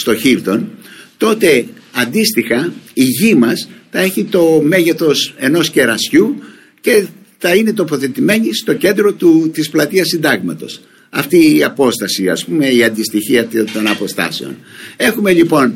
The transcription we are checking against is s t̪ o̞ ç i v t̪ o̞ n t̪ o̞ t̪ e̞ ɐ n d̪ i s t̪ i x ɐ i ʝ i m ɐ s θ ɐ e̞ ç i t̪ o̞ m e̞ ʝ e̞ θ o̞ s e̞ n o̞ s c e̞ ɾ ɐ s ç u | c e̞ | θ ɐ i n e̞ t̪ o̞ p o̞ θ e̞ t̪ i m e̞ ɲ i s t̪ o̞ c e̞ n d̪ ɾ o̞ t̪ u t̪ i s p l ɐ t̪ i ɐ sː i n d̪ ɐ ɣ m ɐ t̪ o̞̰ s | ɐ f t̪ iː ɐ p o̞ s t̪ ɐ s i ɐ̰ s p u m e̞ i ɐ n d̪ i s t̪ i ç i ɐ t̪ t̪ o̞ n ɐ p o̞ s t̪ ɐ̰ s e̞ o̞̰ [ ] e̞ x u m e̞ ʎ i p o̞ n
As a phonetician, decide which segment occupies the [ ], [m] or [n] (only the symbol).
n